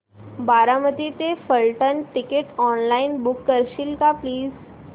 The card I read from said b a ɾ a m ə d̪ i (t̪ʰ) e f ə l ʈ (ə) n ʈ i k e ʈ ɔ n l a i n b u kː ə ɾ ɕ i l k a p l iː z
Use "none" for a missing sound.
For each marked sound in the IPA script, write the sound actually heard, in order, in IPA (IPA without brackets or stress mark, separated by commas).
t̪, ə